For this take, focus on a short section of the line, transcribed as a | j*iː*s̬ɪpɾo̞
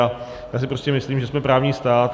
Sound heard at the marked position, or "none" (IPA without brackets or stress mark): aː